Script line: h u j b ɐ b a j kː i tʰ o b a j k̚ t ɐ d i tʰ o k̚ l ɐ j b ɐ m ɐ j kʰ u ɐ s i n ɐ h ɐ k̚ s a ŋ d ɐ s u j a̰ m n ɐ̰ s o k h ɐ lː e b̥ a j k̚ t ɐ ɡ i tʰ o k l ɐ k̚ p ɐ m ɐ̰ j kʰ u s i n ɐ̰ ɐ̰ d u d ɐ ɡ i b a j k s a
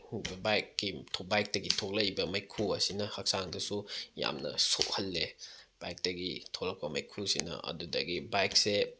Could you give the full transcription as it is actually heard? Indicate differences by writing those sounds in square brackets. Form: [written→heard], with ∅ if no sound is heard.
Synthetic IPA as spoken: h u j b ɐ b a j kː i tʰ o b a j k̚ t ɐ [d→ɡ] i tʰ o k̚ l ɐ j b ɐ m ɐ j kʰ u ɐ s i n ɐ h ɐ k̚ s a ŋ d ɐ s u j a̰ m n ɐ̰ s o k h ɐ lː e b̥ a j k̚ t ɐ ɡ i tʰ o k l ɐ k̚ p ɐ m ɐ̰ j kʰ u s i n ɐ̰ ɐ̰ d u d ɐ ɡ i b a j k s [a→e]